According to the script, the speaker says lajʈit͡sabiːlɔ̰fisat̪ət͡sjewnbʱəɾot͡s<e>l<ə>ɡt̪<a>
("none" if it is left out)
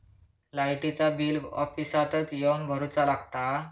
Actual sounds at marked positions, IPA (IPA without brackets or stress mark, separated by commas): a, a, a